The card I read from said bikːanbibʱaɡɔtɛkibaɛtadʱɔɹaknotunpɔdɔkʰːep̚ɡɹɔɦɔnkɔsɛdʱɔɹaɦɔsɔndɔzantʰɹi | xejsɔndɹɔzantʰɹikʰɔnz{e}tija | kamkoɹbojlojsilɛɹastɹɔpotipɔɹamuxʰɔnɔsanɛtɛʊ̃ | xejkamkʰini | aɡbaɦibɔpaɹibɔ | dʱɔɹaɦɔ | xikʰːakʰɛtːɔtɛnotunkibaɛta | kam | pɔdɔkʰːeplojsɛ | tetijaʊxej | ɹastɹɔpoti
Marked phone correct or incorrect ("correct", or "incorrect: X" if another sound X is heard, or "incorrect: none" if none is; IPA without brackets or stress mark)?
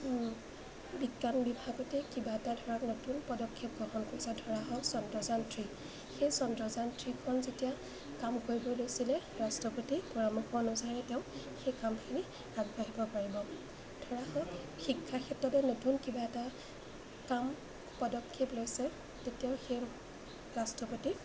correct